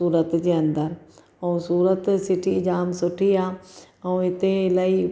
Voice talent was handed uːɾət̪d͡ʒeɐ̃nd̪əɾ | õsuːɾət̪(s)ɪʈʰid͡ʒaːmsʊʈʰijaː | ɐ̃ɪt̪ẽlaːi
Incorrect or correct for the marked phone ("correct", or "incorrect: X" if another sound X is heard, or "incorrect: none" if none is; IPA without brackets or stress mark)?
correct